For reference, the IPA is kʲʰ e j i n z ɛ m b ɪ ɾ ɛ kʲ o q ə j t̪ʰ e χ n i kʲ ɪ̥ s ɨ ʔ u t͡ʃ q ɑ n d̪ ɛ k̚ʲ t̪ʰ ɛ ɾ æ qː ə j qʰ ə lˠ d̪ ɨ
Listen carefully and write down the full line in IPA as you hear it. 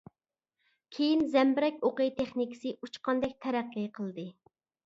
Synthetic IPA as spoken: kʲʰ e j i n z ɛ m b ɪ ɾ ɛ kʲ o q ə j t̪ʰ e χ n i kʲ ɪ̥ s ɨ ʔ u t͡ʃ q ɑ n d̪ ɛ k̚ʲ t̪ʰ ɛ ɾ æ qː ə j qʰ ə lˠ d̪ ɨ